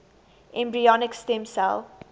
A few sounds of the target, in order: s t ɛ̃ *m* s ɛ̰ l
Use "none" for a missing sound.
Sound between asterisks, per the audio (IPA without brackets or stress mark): m